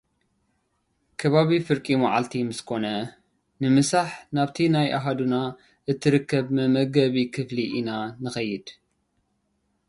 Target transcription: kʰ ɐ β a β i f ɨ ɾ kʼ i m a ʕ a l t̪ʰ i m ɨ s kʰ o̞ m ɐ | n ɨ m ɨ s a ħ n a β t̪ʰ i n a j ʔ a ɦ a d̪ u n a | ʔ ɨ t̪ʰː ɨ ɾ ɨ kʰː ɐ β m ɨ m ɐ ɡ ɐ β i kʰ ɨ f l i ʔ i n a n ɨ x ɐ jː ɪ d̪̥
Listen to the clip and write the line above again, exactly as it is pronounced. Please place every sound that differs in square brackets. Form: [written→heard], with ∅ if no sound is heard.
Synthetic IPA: kʰ ɐ β a β i f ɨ ɾ kʼ i m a ʕ a l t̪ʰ i m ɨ s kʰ o̞ [m→n] ɐ | n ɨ m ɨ s a ħ n a β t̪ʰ i n a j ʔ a ɦ a d̪ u n a | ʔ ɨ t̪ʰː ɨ ɾ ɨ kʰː ɐ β m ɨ m ɐ ɡ ɐ β i kʰ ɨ f l i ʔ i n a n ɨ x ɐ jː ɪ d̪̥